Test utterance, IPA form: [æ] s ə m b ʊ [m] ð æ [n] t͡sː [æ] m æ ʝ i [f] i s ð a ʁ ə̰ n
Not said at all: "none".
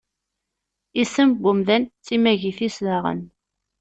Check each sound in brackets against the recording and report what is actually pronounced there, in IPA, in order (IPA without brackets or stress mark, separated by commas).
i, m, n, i, θ